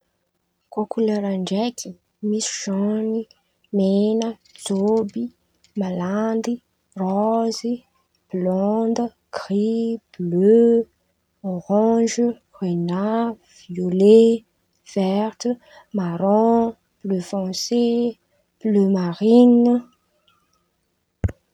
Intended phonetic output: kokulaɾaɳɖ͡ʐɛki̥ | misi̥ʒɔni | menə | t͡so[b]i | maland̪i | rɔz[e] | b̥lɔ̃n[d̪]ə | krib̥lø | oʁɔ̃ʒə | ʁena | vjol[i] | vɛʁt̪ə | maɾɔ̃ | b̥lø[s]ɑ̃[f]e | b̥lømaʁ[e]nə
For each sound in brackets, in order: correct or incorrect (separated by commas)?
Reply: correct, incorrect, correct, incorrect, incorrect, incorrect, incorrect